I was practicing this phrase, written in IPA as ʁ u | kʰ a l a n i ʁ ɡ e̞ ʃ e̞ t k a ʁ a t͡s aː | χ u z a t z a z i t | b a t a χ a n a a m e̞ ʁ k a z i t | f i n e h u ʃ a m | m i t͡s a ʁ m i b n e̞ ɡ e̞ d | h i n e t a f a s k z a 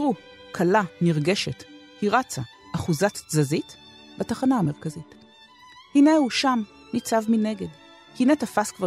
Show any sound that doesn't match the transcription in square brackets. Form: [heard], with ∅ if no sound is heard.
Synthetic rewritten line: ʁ u | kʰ a l a n i ʁ ɡ e̞ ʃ e̞ t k [i] ʁ a t͡s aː | χ u z a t z a z i t | b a t a χ a n a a m e̞ ʁ k a z i t | [h] i n e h u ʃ a m | [n] i t͡s a [v] m i [∅] n e̞ ɡ e̞ d | h i n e t a f a s k [v] a